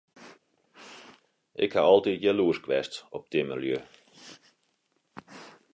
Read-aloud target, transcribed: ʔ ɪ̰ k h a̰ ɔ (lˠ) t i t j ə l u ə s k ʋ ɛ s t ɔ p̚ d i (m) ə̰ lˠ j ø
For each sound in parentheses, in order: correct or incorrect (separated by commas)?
correct, correct